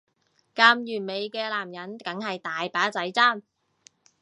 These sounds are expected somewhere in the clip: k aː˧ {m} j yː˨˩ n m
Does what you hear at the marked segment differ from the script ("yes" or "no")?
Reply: no